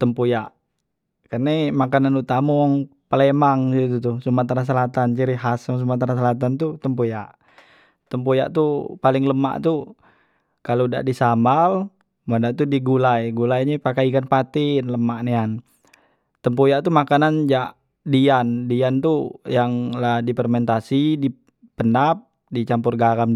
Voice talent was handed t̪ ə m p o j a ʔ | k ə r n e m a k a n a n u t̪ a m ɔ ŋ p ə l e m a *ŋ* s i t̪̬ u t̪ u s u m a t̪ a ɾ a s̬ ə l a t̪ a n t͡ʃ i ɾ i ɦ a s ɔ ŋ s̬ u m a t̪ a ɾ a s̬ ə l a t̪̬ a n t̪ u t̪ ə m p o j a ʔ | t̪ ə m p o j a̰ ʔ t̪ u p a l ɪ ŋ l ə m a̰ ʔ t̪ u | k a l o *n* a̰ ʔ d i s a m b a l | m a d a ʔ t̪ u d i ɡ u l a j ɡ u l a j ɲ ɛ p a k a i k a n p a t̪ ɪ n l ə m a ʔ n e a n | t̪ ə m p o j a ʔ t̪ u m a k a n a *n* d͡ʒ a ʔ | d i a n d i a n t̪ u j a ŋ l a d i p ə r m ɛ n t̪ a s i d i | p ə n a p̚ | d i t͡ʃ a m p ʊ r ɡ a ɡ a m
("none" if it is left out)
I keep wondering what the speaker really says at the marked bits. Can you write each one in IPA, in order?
ŋ, d, n

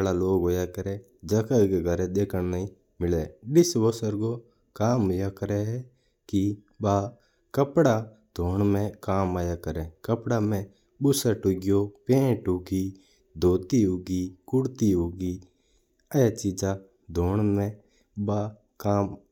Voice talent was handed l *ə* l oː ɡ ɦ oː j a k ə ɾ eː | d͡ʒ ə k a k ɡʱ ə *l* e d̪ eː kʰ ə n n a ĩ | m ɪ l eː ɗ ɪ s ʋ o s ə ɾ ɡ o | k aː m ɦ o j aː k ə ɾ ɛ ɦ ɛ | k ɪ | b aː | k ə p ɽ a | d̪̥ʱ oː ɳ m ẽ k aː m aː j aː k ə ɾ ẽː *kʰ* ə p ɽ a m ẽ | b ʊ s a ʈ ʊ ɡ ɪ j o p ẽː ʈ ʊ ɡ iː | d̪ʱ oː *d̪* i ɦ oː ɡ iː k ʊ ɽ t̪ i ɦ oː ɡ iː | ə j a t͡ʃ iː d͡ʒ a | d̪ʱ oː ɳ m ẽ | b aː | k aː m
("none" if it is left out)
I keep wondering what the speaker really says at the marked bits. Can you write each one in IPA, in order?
a, ɾ, k, t̪

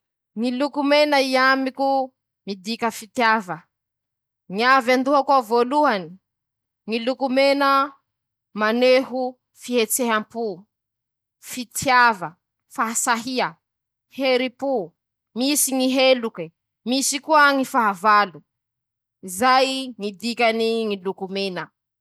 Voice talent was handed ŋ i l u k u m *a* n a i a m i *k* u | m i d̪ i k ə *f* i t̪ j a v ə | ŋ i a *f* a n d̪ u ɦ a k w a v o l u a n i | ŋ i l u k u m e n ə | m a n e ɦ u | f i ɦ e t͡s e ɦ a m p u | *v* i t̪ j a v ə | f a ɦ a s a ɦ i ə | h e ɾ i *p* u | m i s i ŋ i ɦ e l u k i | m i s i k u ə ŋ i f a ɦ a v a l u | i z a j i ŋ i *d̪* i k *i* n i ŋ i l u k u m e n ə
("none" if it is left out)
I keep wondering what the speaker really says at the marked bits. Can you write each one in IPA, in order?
e, k, f, v, f, p, d̪, a

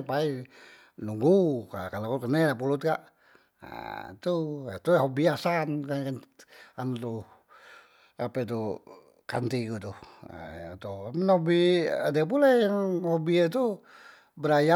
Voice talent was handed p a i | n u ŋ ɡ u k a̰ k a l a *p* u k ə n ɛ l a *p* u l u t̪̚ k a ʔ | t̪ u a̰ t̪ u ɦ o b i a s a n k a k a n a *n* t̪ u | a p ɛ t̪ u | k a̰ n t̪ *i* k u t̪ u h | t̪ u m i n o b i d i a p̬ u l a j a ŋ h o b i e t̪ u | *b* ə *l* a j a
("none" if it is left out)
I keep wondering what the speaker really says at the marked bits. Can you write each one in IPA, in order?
k, p, n, i, b, ɾ

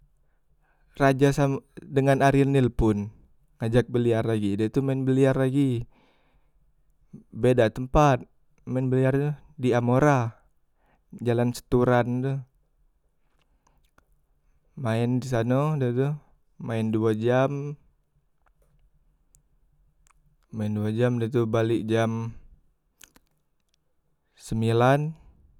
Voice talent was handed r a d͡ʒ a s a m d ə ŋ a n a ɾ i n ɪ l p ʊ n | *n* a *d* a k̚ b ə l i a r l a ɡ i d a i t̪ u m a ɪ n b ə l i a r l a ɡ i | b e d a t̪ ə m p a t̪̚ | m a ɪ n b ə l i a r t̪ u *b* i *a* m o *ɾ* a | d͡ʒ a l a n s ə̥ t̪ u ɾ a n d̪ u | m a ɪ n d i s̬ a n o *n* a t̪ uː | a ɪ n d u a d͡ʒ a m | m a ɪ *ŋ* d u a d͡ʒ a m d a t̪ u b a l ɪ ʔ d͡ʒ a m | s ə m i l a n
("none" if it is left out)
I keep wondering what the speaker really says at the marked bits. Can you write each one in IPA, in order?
ŋ, d͡ʒ, d, a, ɾ, d, n

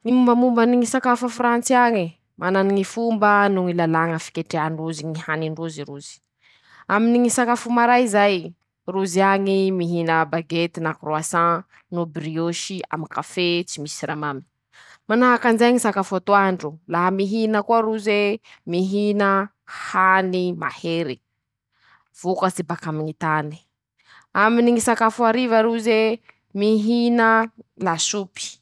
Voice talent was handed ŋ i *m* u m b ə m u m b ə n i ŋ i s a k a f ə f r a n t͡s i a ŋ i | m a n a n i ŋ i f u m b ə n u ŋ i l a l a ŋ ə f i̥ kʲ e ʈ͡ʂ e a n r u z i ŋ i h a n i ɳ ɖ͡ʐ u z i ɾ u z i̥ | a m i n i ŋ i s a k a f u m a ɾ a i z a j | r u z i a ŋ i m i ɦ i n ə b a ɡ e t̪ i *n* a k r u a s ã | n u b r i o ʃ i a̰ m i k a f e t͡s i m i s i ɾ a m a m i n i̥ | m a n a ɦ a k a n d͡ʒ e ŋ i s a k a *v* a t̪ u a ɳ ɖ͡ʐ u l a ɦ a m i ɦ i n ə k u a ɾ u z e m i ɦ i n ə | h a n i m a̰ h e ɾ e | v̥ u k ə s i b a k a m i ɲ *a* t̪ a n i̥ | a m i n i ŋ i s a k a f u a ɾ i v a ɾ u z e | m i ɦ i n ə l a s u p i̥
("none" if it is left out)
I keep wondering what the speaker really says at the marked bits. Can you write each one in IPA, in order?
m, n, f, i

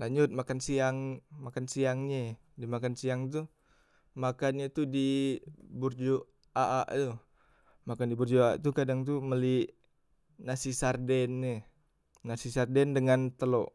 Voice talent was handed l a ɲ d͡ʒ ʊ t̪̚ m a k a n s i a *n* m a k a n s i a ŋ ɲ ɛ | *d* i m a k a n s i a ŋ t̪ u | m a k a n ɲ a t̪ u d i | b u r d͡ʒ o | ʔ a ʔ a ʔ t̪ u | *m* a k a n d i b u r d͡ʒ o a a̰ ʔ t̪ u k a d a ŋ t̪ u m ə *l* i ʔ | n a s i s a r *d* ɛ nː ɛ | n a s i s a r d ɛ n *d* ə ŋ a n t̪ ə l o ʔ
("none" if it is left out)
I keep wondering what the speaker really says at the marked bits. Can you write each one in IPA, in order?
ŋ, d, m, l, d, d

